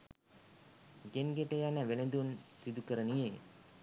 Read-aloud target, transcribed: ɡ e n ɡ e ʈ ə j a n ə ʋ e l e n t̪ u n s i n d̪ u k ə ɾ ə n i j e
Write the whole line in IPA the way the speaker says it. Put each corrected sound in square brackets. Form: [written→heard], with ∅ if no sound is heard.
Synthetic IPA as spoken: ɡ e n ɡ e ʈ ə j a n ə ʋ e l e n [t̪→d̪] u n s i [n→∅] d̪ u k ə ɾ ə n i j e